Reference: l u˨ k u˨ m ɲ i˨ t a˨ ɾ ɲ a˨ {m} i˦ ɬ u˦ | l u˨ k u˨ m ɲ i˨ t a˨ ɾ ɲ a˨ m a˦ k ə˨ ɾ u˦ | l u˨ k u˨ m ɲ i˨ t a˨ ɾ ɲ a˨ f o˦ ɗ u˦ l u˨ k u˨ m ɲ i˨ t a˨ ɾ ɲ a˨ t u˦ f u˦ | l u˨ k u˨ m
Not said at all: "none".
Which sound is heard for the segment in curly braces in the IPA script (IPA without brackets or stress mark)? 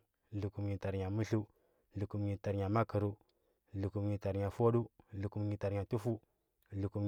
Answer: m